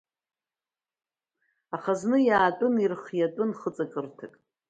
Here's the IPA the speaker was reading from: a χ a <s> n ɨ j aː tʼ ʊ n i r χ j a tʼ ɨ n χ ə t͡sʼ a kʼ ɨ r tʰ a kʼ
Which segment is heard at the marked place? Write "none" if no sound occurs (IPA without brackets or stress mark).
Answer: z